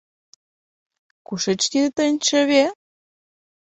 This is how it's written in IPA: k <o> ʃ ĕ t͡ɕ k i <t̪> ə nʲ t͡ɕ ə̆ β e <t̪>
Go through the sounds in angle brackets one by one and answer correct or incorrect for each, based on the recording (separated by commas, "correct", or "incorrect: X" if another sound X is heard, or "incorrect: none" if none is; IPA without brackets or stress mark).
incorrect: u, correct, incorrect: none